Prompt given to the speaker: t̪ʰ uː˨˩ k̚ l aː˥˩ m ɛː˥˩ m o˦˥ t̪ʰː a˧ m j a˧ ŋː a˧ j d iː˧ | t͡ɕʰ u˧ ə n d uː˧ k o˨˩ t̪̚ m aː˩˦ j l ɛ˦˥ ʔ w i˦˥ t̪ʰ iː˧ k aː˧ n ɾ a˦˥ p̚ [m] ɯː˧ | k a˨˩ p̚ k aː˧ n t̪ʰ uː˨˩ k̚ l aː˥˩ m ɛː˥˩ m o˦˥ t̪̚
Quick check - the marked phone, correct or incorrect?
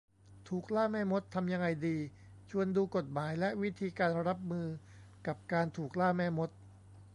correct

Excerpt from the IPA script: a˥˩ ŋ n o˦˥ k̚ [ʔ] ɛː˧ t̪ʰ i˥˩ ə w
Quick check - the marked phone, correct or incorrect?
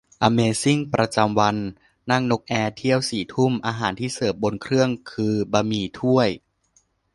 correct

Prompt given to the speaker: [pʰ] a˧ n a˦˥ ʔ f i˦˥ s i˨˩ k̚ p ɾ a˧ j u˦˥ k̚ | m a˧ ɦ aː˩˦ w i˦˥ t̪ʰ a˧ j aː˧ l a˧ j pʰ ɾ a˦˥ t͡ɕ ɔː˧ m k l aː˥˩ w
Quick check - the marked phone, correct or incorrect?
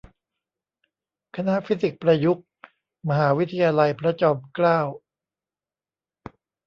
incorrect: kʰ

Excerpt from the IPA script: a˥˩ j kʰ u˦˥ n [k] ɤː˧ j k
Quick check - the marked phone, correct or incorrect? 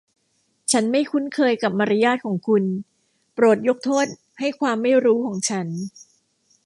incorrect: kʰ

